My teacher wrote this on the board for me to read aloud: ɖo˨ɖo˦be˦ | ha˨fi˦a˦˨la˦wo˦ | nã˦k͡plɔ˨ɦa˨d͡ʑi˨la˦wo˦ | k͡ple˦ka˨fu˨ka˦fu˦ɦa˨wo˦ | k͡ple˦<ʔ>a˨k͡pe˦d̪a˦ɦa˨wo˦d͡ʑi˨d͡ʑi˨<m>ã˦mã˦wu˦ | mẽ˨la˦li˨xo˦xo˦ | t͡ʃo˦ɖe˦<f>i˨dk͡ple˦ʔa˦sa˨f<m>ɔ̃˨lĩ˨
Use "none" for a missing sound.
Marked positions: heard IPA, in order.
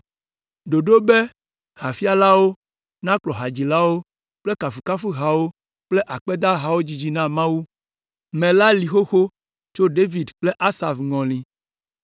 ʔ, n, v, ŋ

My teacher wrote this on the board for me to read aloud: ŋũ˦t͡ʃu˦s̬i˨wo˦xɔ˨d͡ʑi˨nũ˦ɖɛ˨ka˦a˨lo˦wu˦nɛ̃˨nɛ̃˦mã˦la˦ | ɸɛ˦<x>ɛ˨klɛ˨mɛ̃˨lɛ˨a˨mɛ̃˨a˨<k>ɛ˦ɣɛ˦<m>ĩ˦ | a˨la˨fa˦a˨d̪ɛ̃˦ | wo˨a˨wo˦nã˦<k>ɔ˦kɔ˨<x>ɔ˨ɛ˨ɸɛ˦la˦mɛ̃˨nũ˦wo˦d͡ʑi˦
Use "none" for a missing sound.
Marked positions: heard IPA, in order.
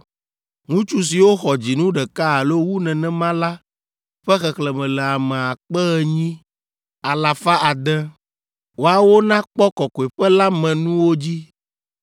x, k͡p, ɲ, k͡p, k

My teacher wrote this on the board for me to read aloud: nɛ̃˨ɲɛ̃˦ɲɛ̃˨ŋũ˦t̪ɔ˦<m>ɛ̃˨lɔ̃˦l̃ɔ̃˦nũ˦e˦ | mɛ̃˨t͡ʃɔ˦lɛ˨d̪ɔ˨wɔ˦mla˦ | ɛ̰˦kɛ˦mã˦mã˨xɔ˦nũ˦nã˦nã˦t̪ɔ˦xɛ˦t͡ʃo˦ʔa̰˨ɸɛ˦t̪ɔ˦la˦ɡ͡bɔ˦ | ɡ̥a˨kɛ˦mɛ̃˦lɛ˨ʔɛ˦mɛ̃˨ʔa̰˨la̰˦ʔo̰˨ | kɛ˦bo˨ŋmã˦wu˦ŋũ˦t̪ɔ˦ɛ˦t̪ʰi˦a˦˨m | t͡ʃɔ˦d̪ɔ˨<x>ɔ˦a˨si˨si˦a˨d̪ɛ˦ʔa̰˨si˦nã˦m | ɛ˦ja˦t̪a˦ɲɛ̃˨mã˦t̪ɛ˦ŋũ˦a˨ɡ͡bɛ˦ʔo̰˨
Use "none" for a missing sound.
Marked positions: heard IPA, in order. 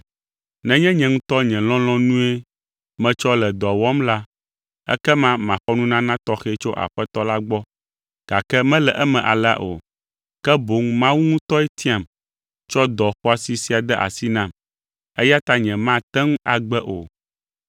ɲ, x

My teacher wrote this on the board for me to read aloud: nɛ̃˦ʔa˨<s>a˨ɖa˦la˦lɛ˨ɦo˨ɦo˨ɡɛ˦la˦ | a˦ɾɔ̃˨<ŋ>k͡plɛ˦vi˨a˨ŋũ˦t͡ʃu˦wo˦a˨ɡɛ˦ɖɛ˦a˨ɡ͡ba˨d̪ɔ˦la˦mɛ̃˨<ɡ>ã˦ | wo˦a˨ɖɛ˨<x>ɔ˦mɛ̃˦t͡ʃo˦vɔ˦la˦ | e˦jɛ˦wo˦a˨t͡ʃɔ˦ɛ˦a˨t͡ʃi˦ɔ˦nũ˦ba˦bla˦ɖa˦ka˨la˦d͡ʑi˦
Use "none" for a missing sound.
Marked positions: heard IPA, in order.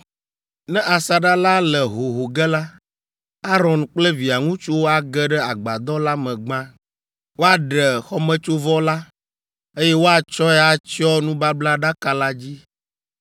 s, n, ɡ͡b, x

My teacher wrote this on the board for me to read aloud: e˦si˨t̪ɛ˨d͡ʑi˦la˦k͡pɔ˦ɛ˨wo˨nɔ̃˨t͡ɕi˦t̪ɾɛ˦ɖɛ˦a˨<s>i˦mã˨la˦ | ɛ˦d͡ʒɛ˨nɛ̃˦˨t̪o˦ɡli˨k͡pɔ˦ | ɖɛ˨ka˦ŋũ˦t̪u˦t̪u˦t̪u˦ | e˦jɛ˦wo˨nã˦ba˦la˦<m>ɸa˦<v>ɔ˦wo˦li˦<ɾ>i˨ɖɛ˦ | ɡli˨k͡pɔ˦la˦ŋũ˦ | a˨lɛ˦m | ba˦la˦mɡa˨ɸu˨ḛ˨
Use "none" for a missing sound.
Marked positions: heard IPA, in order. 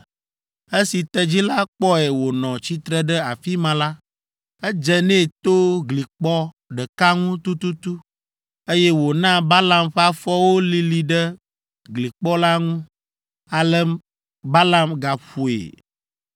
f, m, f, l

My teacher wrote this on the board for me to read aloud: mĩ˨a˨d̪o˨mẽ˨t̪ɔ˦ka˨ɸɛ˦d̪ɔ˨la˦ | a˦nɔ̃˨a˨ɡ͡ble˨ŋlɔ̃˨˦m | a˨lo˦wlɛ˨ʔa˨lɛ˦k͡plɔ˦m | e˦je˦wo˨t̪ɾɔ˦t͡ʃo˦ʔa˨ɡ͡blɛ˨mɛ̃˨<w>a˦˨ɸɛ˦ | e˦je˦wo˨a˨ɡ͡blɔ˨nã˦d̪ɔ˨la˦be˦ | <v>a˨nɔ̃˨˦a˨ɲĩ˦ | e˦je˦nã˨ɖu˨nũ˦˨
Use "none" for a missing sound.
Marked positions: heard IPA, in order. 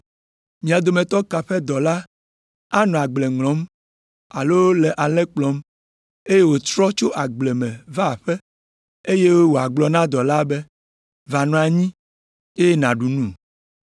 v, v

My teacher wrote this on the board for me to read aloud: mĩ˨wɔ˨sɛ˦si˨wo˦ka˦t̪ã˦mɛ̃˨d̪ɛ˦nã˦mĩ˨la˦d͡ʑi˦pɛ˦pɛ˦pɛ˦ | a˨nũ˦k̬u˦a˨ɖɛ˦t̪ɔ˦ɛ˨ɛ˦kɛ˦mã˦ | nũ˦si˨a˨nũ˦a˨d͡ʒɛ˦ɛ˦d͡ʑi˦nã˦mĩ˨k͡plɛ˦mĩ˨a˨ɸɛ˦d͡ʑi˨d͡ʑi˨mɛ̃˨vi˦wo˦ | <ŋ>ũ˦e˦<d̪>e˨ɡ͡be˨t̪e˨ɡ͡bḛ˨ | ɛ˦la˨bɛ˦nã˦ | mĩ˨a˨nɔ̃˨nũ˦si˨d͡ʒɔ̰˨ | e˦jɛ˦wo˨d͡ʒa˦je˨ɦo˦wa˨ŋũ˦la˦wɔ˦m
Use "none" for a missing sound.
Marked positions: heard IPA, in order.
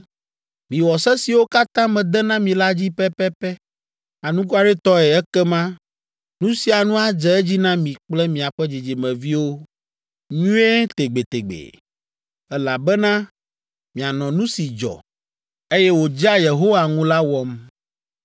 ɲ, t̪

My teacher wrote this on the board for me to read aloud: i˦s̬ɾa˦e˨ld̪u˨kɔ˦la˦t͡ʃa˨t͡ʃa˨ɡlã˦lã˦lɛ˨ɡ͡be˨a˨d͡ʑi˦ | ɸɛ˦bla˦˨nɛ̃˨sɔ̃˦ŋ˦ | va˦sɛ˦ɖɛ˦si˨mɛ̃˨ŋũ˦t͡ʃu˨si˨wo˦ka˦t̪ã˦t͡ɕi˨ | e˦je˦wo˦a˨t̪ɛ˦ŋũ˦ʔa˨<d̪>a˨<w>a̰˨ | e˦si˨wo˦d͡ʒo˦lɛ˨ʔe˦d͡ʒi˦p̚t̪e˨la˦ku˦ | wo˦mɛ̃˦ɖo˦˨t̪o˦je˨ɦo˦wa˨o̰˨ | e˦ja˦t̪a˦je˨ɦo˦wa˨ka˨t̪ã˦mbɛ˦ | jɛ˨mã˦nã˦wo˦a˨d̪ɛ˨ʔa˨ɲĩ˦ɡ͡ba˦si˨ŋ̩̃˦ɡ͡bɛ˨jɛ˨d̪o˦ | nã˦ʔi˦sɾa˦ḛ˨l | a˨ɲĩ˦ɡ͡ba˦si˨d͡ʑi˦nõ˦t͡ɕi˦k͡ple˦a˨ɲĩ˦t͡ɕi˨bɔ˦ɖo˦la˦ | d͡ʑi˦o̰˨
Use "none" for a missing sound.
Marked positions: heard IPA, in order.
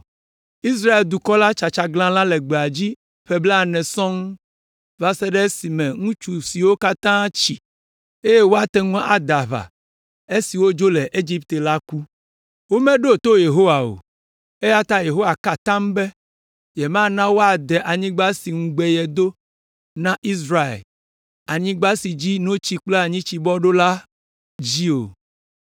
d̪, β

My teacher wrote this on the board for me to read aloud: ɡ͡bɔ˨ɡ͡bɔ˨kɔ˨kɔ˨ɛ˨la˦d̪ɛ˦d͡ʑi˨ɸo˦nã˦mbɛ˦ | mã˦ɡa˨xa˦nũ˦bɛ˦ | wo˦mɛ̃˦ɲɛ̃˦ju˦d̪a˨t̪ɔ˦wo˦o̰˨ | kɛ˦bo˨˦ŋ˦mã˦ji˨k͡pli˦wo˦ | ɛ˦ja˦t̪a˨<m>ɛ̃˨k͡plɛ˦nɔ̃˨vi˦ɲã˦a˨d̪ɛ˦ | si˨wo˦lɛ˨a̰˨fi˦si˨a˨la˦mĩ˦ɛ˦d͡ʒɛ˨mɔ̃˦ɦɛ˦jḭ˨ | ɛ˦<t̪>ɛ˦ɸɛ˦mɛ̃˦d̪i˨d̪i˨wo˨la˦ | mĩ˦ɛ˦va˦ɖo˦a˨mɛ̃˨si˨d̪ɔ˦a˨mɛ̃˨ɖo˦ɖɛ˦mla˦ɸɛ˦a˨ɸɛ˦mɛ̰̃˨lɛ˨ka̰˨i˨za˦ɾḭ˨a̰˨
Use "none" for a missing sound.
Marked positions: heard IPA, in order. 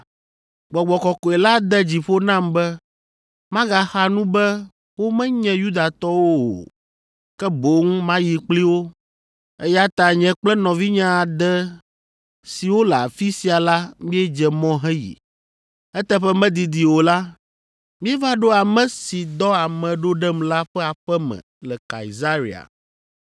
ɲ, t̪

